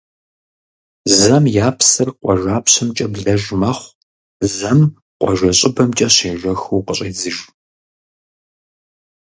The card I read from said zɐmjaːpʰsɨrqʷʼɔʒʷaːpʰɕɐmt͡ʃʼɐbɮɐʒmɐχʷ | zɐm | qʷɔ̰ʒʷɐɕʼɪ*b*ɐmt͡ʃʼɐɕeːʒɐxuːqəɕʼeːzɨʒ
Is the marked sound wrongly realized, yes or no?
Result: no